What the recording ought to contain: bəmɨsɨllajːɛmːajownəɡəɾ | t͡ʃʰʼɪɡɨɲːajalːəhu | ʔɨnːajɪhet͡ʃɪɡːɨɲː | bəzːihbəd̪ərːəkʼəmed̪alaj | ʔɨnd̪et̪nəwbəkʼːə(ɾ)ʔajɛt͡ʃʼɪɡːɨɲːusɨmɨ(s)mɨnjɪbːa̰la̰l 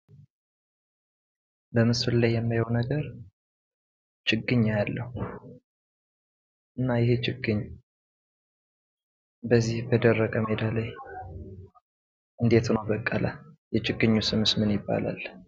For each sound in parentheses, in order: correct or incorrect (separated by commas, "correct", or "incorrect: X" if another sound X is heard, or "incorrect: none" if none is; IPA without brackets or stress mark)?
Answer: incorrect: l, correct